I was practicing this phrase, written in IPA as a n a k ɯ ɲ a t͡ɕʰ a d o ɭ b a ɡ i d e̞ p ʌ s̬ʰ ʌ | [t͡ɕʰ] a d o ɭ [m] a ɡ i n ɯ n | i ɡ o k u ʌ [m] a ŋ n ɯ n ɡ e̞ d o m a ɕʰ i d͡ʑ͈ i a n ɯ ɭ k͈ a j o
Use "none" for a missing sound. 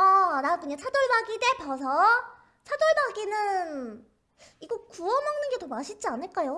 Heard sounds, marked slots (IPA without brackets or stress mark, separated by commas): t͡ɕʰ, b, m